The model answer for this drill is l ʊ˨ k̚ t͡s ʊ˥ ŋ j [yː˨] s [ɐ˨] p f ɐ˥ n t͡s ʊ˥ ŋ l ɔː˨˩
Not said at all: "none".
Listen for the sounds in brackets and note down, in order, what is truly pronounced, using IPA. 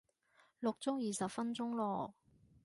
iː˨, ɐ˨

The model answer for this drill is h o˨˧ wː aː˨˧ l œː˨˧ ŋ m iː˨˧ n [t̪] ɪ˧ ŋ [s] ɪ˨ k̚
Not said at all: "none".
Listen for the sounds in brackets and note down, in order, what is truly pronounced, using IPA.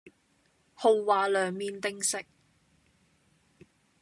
t̪, s

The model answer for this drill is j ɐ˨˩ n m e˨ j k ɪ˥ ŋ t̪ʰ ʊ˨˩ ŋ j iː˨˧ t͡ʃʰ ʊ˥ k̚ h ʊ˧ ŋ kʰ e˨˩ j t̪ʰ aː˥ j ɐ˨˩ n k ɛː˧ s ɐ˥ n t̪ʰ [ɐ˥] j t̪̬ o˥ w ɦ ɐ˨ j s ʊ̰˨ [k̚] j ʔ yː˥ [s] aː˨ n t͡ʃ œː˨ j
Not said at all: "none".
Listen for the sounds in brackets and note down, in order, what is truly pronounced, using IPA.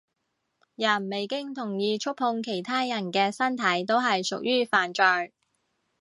ɐ˨˥, k̚, f

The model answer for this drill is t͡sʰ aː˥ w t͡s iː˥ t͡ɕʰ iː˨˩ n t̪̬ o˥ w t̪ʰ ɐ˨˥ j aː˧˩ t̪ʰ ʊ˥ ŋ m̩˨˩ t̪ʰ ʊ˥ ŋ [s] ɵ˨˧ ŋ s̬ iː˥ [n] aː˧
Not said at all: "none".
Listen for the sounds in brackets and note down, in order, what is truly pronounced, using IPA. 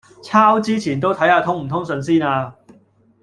s, n

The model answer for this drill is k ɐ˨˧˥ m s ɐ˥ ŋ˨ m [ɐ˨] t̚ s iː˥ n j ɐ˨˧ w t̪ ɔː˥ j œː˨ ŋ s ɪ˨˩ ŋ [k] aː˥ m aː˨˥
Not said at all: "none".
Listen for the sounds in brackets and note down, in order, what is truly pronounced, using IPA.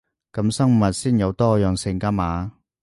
ɐ˨, k

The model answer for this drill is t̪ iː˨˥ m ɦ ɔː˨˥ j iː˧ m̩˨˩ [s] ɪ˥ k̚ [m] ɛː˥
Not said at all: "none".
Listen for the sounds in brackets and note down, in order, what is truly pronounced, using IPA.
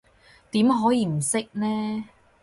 s, n

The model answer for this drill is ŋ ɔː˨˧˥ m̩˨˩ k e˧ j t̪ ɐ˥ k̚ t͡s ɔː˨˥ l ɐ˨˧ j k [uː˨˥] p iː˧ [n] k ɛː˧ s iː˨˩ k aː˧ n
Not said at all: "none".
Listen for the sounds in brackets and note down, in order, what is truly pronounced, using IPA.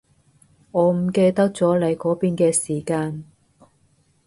ɔː˨˥, n

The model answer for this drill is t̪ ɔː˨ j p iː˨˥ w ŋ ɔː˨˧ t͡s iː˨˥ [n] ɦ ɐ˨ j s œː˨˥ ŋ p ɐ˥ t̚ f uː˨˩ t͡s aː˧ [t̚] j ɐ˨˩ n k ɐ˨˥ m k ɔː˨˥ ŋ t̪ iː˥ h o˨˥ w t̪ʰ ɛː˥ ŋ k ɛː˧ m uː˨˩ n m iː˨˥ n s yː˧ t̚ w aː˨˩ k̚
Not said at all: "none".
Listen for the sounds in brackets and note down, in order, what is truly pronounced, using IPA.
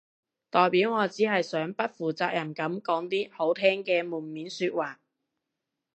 none, k̚

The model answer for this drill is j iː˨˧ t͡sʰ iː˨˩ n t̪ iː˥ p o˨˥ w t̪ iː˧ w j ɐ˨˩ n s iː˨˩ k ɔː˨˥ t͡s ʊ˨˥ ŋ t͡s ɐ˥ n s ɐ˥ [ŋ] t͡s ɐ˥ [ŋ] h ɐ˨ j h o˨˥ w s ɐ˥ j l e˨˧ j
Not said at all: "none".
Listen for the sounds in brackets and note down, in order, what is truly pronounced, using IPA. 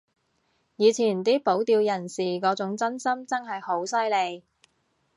m, ŋ

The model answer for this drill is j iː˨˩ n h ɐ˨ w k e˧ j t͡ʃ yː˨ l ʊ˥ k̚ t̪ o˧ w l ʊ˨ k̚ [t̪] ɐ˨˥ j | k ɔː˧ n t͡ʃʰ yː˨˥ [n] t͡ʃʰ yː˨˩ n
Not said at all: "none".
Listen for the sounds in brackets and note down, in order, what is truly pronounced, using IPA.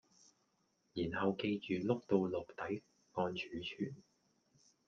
t̪, none

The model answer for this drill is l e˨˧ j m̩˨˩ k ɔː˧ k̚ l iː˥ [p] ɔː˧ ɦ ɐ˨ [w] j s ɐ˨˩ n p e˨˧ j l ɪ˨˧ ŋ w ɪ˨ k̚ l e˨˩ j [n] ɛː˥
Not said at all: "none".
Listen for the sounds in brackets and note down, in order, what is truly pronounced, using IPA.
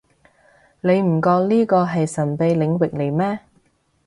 k, none, m

